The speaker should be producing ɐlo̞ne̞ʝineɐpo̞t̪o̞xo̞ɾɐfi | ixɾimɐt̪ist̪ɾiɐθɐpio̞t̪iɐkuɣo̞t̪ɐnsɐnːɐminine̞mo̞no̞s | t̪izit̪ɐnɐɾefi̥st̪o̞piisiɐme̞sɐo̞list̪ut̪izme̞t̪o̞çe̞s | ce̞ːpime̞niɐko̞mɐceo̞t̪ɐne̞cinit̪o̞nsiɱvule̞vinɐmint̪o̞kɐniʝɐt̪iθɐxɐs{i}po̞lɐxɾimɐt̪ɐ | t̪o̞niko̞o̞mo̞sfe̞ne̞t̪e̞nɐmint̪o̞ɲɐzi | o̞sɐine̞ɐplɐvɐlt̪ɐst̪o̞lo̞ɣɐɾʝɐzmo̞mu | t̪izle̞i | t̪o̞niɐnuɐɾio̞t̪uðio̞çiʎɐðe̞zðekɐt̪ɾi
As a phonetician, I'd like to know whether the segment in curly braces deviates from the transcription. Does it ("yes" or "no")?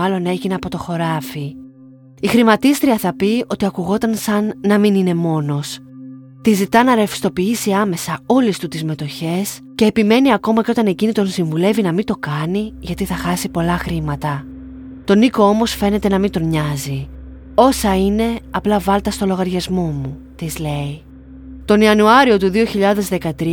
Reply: no